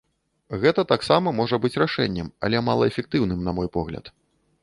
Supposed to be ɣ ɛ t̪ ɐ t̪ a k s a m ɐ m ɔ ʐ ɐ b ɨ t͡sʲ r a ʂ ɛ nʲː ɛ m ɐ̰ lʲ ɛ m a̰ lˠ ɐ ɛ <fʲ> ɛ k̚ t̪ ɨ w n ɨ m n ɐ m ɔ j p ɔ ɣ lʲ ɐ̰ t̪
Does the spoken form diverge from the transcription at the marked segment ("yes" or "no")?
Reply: no